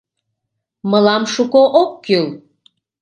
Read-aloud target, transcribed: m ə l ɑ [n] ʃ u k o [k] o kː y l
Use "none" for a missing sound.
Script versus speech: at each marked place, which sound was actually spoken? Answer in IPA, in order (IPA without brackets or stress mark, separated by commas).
m, ʔ